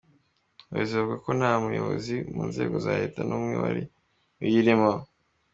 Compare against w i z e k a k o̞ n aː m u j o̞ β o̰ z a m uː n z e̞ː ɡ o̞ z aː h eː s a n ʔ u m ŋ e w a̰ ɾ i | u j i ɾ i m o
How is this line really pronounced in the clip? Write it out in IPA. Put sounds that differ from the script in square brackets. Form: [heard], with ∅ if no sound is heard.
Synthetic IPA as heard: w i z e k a k o̞ n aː m u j o̞ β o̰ z [i] m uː n z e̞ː ɡ o̞ z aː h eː [t] a n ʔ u m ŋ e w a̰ ɾ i | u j i ɾ i m o